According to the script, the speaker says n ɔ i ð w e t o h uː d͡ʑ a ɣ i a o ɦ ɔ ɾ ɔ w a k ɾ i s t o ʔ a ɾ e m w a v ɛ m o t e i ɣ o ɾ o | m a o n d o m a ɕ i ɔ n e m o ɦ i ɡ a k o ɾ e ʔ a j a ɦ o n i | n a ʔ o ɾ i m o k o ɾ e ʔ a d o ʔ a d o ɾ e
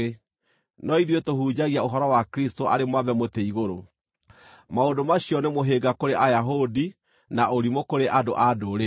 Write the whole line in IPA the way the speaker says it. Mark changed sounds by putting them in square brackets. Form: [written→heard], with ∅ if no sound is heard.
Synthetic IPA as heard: n ɔ i ð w e t o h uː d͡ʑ a ɣ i a o ɦ ɔ ɾ ɔ w a k ɾ i s t o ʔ a ɾ e m w a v ɛ m o t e i ɣ o ɾ o | m a o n d o m a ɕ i ɔ n e m o ɦ [i→e] ɡ a k o ɾ e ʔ a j a ɦ o [n→d] i | n a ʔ o ɾ i m o k o ɾ e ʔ a d o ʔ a d o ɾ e